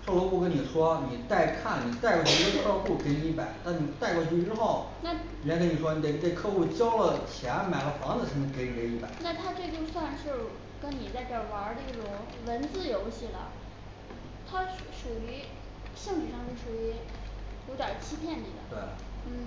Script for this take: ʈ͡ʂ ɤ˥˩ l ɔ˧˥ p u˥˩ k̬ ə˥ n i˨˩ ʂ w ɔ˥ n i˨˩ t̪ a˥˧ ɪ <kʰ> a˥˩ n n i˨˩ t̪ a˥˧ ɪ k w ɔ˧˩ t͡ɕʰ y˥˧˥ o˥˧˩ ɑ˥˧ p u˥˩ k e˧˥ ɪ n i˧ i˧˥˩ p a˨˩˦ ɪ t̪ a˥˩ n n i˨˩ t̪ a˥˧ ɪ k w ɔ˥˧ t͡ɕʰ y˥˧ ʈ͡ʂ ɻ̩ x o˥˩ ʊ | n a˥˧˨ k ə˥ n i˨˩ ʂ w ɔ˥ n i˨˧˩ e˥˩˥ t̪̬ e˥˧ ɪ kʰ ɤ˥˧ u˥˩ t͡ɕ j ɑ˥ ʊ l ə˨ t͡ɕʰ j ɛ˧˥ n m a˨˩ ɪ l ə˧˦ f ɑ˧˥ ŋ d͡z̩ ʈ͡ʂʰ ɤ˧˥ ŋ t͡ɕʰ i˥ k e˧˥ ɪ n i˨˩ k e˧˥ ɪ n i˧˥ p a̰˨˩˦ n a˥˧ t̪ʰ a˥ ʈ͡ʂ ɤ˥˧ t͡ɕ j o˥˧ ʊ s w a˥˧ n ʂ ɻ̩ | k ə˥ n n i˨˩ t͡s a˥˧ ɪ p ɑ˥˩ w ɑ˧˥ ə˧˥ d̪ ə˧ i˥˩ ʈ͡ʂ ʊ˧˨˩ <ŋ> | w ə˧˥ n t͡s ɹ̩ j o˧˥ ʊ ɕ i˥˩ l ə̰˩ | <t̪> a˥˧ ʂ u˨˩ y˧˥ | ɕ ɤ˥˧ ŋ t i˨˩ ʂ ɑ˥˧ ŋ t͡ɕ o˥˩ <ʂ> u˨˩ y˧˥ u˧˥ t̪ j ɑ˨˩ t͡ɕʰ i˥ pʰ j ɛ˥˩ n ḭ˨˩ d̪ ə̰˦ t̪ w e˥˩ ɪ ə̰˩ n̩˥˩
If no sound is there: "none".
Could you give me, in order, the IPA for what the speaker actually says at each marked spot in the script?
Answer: kʰ, ŋ, t̪ʰ, ʂ

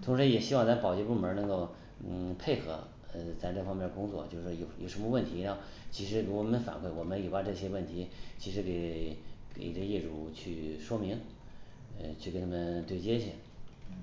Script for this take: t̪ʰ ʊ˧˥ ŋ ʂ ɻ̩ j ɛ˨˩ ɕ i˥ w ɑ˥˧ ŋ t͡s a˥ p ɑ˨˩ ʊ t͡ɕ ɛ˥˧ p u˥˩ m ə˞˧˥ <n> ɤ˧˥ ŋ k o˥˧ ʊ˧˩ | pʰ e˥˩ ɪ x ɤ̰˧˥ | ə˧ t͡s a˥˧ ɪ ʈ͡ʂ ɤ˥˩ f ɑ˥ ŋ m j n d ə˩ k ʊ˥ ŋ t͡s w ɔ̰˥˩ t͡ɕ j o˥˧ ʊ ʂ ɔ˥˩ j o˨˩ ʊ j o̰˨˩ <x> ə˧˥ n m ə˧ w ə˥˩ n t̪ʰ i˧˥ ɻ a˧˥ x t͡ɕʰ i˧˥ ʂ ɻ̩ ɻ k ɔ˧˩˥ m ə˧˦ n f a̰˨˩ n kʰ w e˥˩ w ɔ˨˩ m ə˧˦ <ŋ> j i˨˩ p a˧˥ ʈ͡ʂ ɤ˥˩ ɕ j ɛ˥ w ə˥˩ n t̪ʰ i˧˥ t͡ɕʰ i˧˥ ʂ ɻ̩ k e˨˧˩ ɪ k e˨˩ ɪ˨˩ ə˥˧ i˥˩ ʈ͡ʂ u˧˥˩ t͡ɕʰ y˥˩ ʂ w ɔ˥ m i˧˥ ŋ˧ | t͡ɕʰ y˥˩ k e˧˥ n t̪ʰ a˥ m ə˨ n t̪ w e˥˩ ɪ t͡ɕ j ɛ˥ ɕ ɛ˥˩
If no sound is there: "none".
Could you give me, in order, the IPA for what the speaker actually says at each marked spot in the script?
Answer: n, ʂ, n

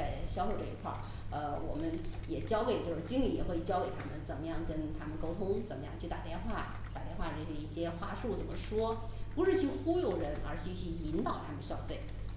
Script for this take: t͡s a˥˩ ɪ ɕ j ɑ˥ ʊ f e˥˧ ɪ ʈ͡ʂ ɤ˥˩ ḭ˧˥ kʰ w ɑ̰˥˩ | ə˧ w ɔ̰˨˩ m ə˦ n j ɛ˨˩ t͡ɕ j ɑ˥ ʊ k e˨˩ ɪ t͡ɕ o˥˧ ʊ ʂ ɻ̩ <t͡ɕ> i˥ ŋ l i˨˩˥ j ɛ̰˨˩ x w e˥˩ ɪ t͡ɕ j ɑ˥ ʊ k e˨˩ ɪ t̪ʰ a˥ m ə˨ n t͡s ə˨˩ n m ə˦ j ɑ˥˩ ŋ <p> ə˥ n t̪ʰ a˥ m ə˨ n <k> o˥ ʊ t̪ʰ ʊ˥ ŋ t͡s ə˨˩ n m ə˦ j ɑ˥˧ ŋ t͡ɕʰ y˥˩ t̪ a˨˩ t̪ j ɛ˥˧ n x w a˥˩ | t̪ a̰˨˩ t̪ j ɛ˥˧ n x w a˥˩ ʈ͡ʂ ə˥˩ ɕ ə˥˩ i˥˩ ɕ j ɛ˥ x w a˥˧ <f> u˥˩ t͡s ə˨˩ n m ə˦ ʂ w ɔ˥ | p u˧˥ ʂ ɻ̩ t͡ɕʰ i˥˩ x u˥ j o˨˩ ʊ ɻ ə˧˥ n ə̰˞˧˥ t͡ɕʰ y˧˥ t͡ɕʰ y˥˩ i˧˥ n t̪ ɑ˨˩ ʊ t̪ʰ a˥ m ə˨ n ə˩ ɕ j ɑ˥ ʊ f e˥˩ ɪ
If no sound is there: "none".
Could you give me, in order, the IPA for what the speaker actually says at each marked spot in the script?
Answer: t͡ɕ, k, k, ʂ

